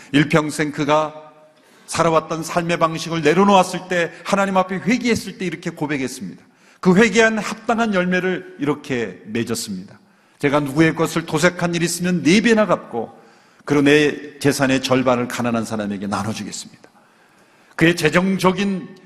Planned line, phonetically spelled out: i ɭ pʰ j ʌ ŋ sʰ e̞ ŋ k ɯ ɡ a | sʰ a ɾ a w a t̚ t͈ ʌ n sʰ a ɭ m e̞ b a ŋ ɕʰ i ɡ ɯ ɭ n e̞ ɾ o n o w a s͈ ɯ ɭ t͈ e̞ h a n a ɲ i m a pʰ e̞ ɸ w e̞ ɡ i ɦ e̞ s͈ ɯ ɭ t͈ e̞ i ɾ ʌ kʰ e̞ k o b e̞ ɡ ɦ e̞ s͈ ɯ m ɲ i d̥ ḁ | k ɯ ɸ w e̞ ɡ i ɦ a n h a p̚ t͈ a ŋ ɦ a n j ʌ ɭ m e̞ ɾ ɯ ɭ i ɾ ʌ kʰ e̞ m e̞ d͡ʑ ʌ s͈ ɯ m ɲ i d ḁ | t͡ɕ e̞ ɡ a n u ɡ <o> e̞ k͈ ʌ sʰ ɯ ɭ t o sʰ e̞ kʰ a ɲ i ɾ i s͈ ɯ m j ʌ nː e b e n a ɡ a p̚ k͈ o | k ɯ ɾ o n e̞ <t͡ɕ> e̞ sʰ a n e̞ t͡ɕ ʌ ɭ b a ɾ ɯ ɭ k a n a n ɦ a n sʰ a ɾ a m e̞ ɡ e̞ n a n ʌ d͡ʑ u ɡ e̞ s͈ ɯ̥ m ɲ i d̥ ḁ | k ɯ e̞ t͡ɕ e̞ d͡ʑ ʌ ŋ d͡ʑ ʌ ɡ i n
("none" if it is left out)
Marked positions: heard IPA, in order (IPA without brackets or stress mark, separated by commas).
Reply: u, t͡ɕ